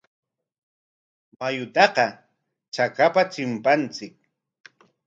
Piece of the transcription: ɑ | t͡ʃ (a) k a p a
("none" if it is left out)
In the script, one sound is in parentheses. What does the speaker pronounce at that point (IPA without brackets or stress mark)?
a